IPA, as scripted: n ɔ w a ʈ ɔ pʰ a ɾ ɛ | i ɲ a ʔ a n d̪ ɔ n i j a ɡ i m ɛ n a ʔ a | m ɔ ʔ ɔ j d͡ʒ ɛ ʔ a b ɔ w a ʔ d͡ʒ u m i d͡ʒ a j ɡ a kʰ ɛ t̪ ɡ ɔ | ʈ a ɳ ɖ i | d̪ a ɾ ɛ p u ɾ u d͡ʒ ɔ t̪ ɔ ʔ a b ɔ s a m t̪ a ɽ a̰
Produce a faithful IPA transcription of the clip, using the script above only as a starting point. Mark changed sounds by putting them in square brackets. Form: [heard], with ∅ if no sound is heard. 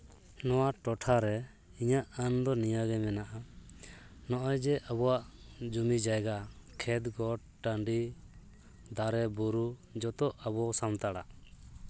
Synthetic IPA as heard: n ɔ w a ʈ ɔ [ʈʰ] a ɾ ɛ | i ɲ a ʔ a n d̪ ɔ n i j a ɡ [ɛ] m ɛ n a ʔ a | [n] ɔ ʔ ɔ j d͡ʒ ɛ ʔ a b ɔ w a ʔ d͡ʒ u m i d͡ʒ a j ɡ a kʰ ɛ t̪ ɡ ɔ | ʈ a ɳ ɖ i | d̪ a ɾ ɛ [b] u ɾ u d͡ʒ ɔ t̪ ɔ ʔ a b ɔ s a m t̪ a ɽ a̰